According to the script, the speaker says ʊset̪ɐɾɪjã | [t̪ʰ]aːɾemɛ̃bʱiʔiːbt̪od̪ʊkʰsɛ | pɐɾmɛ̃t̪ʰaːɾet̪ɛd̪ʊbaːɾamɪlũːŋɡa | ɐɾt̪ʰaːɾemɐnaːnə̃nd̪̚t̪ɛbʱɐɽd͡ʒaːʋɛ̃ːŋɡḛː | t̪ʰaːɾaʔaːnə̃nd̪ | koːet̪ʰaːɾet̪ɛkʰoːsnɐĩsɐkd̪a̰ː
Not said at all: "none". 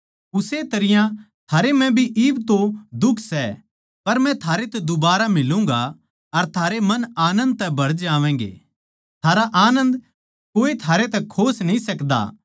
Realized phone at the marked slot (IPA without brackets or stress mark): t̪ʰ